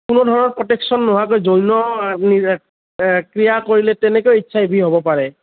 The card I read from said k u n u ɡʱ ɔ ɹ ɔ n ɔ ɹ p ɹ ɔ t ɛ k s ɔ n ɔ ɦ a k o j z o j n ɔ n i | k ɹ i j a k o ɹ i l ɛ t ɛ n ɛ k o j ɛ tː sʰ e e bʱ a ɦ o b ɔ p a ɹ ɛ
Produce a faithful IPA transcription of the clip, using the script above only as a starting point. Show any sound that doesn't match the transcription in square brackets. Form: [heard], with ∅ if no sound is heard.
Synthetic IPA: k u n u [dʱ] ɔ ɹ ɔ n ɔ ɹ p ɹ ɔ t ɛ k s ɔ [nː] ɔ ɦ a k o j z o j n ɔ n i | k ɹ i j a k o ɹ i l ɛ t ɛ n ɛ k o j [i] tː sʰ [a] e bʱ [i] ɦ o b ɔ p a ɹ ɛ